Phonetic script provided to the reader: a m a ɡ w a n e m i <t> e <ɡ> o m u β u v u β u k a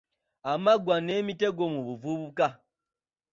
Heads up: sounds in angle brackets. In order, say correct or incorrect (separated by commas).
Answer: correct, correct